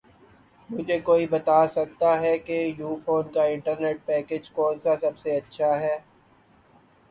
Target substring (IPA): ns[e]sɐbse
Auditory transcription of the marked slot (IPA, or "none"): a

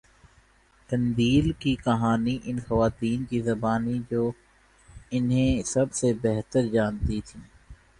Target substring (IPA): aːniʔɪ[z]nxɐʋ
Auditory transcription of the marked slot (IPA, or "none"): none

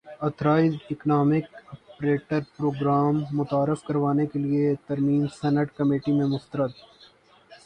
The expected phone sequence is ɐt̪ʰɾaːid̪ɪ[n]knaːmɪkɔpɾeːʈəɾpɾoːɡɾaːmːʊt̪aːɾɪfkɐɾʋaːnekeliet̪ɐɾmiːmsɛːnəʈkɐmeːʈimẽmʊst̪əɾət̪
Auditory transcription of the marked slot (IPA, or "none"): none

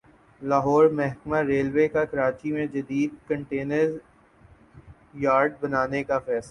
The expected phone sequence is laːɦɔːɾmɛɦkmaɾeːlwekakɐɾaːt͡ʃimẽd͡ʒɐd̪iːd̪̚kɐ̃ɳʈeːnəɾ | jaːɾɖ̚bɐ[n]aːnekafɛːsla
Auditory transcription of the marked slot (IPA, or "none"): n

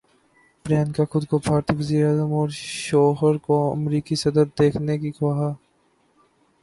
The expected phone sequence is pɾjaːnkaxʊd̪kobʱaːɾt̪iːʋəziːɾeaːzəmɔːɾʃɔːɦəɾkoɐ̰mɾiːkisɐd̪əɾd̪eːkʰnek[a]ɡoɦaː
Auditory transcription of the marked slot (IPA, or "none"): i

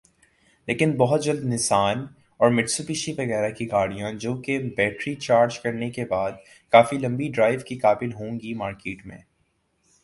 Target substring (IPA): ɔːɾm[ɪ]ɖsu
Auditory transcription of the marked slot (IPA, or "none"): ɪ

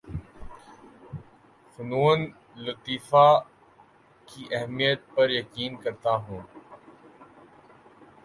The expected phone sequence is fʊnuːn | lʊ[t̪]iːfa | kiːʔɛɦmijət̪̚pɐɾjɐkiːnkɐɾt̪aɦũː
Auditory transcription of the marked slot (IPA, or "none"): t̪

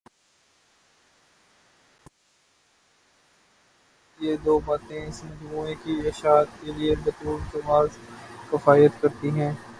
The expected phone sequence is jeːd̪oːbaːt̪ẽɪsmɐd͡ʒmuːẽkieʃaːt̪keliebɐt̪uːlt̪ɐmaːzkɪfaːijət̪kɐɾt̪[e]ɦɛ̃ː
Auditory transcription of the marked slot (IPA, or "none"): i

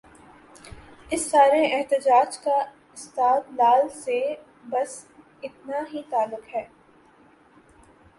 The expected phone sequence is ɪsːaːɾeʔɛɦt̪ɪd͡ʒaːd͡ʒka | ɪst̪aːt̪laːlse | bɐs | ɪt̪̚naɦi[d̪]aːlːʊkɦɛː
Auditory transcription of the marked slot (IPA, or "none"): t̪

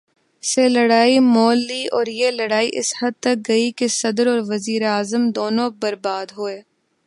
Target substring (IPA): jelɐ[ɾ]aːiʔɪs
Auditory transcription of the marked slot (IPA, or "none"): ɽ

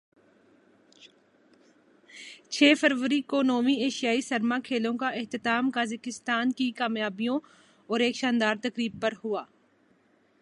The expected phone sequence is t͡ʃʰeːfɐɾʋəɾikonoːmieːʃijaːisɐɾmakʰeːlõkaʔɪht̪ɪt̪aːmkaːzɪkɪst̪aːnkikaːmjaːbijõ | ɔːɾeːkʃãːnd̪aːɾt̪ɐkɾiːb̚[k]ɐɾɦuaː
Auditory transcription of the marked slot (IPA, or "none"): p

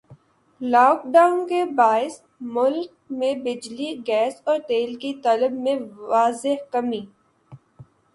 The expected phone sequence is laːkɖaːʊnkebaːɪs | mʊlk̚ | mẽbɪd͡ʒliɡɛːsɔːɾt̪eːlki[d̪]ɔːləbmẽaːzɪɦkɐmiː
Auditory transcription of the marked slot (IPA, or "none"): t̪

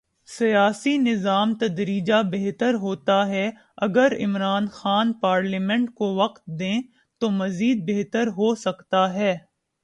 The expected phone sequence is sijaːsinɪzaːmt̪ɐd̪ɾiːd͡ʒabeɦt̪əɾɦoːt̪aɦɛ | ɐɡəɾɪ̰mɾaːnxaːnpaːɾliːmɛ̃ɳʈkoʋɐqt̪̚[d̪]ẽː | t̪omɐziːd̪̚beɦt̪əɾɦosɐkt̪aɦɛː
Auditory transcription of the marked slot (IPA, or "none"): d̪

